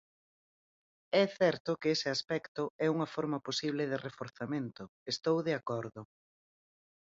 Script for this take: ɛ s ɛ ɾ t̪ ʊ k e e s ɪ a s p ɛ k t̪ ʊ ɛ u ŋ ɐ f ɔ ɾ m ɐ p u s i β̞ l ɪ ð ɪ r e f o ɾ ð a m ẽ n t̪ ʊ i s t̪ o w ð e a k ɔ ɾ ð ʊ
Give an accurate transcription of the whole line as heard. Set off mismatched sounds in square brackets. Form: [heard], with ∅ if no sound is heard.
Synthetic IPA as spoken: ɛ [θ] ɛ ɾ t̪ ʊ k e e s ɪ a s p ɛ k t̪ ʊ ɛ u ŋ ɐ f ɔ ɾ m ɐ p [o] s i β̞ l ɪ ð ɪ r e f o ɾ [θ] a m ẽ n t̪ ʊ [e] s t̪ o w ð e a k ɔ ɾ ð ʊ